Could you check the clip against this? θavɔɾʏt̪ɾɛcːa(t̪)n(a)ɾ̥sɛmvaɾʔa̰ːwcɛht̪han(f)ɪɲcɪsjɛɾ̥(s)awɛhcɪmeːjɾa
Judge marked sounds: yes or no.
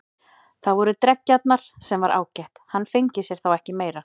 yes, yes, yes, no

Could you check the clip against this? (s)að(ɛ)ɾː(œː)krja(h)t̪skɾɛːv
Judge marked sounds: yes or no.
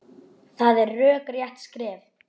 no, yes, yes, yes

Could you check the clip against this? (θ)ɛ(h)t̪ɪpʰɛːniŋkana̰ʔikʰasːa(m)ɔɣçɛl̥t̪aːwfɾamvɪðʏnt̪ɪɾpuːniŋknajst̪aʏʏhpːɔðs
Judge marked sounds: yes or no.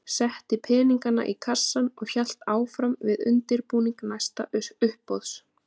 no, yes, no

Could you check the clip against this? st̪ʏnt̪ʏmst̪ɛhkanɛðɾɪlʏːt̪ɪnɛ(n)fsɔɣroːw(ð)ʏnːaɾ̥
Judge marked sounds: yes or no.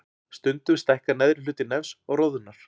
no, yes

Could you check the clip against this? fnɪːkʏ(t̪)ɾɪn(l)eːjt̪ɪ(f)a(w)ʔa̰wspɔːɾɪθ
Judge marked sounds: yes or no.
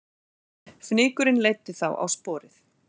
no, yes, no, yes

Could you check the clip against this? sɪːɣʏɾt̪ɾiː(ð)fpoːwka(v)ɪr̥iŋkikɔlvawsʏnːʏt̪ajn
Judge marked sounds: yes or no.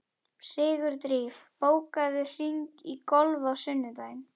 no, no

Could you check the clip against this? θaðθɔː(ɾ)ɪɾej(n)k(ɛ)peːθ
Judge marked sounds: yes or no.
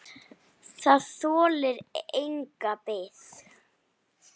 no, no, no

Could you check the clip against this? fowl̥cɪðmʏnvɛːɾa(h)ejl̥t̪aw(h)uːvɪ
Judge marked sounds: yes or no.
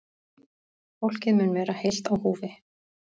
yes, yes

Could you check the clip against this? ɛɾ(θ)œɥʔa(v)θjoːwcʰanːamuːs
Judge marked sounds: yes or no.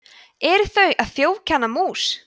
yes, no

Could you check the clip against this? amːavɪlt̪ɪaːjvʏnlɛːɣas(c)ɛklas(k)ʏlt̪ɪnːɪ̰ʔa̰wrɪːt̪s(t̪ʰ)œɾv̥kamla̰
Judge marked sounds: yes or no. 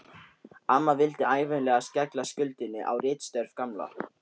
yes, no, no

